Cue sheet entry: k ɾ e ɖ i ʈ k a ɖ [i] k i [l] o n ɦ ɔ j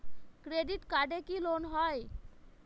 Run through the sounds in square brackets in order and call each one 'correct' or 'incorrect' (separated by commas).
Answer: incorrect, correct